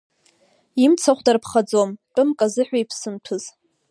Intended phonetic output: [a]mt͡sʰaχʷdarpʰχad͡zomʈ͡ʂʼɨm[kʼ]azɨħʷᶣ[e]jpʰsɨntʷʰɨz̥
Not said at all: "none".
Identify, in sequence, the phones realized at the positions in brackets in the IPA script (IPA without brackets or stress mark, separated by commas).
i, kʼ, a